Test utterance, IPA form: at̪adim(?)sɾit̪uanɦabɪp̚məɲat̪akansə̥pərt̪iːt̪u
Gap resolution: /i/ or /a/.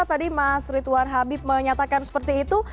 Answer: a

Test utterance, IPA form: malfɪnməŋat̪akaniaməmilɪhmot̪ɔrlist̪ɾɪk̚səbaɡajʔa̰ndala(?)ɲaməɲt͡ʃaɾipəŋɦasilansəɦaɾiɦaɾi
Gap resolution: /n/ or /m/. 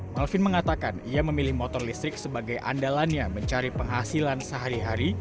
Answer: n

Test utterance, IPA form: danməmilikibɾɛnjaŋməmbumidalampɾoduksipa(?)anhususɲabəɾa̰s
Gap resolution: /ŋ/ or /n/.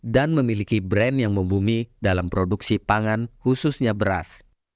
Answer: ŋ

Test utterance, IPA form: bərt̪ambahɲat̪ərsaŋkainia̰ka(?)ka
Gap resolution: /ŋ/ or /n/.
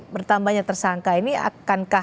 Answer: n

